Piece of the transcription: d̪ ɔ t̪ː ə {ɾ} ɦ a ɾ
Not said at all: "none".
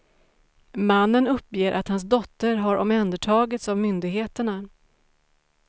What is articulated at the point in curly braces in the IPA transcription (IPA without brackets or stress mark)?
ɾ